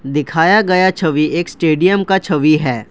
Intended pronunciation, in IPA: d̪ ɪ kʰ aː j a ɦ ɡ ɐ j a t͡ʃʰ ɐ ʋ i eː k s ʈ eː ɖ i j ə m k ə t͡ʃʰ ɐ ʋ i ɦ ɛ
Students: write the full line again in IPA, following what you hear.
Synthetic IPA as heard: d̪ ɪ kʰ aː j a ɡ ɐ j a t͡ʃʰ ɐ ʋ i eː k s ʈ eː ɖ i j ə m k a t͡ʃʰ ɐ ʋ i ɦ ɛː